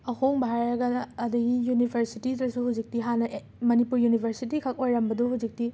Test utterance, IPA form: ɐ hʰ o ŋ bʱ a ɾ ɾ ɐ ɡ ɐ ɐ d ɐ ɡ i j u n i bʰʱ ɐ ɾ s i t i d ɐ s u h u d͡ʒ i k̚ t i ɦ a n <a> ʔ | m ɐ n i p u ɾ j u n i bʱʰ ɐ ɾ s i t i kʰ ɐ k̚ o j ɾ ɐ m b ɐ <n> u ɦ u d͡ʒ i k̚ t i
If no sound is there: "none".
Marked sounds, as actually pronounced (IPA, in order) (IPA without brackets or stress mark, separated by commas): ɐ, d